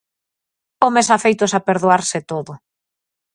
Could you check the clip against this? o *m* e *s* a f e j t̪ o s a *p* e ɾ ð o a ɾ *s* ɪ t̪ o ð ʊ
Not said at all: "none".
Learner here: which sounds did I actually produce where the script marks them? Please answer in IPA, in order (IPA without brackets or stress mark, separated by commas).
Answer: m, s, p, s